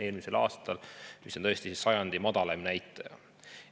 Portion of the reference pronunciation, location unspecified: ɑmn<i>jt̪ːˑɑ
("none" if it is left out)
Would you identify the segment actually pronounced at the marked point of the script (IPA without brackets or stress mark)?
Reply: æ